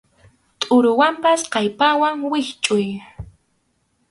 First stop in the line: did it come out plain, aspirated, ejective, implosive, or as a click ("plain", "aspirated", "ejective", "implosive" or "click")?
ejective